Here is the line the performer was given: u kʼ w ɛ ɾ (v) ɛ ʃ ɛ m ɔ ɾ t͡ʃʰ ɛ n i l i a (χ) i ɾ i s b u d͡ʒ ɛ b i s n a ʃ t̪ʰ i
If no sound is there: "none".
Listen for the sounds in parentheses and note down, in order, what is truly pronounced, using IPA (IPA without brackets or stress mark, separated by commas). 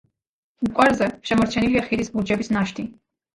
z, χ